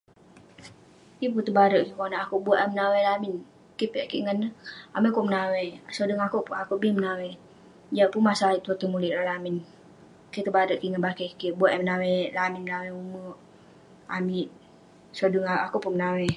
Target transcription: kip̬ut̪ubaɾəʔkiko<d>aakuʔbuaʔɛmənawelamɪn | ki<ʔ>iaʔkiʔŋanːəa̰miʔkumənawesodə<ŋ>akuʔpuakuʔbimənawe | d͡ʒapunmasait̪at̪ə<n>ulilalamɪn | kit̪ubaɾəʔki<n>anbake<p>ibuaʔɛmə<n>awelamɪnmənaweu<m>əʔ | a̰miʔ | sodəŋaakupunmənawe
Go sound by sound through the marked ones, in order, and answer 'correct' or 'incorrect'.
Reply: incorrect: n, incorrect: p, correct, incorrect: m, incorrect: ŋ, incorrect: k, correct, correct

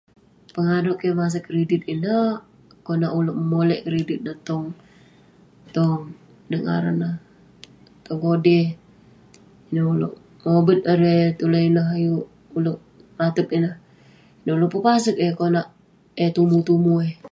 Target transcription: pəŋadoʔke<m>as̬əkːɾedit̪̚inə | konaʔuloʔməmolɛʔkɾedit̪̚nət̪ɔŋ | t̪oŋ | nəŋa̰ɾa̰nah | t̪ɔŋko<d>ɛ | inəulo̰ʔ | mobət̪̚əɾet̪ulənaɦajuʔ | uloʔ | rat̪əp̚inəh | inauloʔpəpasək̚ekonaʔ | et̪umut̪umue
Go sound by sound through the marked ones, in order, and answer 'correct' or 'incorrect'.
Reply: correct, correct

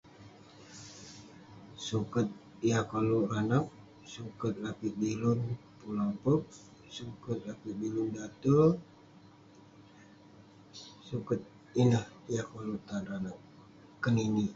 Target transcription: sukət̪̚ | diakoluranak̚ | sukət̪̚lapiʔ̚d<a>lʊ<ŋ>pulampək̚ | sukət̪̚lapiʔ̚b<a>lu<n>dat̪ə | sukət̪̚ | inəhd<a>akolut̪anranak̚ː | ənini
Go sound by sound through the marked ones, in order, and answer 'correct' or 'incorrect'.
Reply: incorrect: i, incorrect: n, incorrect: i, correct, incorrect: i

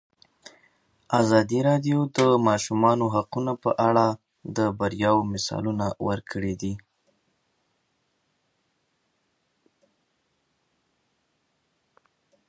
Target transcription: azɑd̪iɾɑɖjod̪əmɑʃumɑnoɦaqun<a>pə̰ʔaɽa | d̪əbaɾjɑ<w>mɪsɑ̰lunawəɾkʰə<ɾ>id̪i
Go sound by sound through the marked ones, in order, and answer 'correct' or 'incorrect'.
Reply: correct, correct, incorrect: ɽ

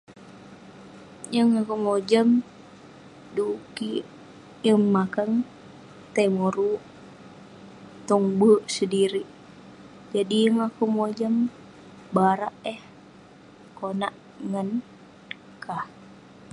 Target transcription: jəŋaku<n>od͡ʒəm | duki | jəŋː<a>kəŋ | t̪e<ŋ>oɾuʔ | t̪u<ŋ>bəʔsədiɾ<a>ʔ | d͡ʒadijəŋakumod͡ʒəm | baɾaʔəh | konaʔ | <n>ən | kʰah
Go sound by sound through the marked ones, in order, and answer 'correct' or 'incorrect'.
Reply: incorrect: m, correct, incorrect: m, correct, incorrect: i, incorrect: ŋ

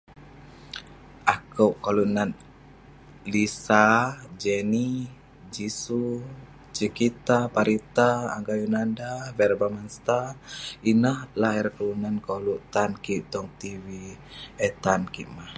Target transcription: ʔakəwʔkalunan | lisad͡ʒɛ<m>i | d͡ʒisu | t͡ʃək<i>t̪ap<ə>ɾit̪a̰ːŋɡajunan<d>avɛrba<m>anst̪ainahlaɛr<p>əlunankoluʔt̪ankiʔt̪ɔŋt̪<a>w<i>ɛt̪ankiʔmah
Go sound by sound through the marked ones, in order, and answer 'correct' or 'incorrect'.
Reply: incorrect: n, correct, incorrect: a, correct, correct, incorrect: k, incorrect: i, correct

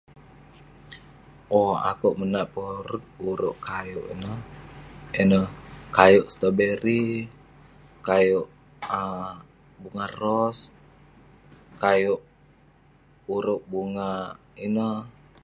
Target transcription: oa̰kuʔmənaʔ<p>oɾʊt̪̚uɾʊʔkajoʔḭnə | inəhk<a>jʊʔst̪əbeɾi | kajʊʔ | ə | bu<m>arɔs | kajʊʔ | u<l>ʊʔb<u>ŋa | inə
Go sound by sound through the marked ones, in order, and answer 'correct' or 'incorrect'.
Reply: correct, correct, incorrect: ŋ, incorrect: ɾ, correct

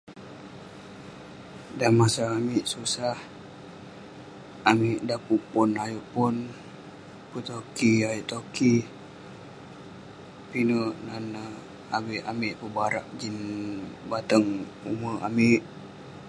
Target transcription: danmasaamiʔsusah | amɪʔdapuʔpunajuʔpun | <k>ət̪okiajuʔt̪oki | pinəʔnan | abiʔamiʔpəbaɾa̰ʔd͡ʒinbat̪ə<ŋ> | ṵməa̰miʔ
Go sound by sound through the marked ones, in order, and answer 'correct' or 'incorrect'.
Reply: incorrect: p, correct

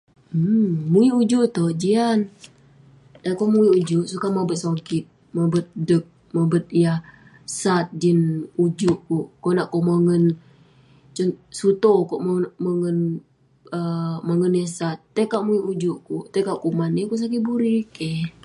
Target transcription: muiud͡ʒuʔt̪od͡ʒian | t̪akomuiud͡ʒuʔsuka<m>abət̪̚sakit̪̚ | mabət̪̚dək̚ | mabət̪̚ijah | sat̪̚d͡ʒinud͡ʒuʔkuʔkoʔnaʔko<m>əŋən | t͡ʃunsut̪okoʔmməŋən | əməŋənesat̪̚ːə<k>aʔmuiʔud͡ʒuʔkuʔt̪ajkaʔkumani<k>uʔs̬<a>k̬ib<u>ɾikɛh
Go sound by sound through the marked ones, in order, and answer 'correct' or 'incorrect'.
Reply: correct, correct, correct, correct, correct, correct

